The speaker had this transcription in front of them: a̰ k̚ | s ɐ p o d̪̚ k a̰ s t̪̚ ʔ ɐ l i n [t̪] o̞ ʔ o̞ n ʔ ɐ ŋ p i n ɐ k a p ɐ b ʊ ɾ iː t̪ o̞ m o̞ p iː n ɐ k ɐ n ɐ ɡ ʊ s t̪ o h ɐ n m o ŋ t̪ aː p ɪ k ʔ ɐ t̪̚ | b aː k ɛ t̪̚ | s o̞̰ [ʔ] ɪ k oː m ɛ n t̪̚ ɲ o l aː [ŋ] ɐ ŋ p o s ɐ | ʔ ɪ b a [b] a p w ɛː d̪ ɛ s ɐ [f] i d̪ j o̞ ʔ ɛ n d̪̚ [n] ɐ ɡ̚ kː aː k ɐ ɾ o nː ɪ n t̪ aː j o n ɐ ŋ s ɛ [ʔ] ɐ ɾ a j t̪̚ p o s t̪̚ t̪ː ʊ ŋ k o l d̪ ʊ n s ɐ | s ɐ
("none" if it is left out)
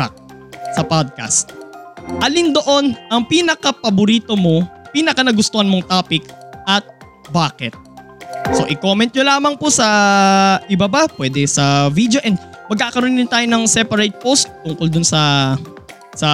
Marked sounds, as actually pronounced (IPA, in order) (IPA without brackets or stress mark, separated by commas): d̪, ʔ, m, b, v, m, p